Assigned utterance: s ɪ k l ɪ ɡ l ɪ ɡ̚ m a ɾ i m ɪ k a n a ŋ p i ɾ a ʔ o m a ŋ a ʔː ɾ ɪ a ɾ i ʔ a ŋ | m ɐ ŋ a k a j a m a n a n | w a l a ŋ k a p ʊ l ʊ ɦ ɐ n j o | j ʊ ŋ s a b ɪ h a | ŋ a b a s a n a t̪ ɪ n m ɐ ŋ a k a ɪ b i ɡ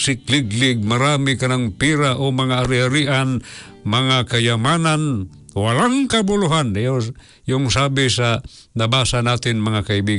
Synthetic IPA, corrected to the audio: s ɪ k l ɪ ɡ l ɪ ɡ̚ m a ɾ a m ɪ k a n a ŋ p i ɾ a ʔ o m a ŋ a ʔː ɾ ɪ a ɾ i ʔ a n | m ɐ ŋ a k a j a m a n a n | w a l a ŋ k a b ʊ l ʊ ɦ a n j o | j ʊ ŋ s a b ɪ s a | n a b a s a n a t̪ ɪ n m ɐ ŋ a k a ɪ b i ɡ